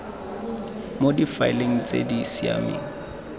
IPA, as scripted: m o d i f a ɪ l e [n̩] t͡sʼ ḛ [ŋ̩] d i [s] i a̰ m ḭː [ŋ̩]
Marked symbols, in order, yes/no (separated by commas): no, no, yes, yes